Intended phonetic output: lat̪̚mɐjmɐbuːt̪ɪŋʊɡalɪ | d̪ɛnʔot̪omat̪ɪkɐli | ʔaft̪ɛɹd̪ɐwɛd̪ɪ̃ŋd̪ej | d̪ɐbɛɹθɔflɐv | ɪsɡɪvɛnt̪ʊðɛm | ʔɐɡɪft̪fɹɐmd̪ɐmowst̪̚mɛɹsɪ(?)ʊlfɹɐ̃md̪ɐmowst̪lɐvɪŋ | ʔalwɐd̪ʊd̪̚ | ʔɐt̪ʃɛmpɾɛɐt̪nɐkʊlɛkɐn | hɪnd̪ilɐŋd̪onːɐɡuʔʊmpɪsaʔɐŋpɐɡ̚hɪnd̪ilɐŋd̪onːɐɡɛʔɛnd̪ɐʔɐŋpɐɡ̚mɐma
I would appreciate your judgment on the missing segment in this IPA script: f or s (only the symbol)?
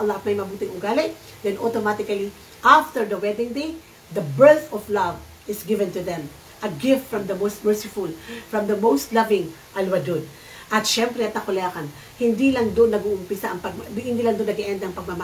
f